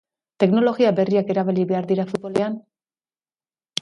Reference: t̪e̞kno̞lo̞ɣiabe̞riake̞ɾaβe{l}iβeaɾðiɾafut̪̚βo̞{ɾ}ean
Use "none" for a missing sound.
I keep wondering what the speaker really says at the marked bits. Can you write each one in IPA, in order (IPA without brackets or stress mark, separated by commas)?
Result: l, l